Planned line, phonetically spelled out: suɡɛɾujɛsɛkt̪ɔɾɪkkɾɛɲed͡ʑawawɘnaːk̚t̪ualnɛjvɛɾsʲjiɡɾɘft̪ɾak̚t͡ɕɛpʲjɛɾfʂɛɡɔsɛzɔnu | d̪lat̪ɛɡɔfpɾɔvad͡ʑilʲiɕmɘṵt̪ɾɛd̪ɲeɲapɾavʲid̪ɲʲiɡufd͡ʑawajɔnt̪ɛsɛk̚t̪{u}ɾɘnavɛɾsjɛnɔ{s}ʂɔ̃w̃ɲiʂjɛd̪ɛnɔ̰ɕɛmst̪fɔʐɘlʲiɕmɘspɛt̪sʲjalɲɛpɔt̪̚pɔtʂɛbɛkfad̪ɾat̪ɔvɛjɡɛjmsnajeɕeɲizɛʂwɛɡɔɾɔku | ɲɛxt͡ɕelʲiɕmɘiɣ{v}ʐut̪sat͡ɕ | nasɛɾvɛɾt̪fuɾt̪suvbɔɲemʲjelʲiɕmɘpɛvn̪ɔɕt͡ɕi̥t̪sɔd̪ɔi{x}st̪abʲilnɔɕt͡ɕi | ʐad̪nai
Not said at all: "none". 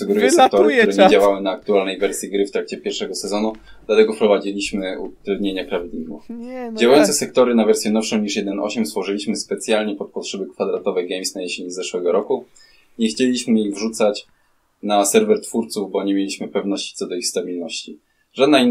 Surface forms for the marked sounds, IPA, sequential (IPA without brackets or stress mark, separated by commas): ɔ, f, v, x